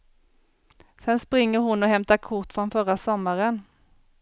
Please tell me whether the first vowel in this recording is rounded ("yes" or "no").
no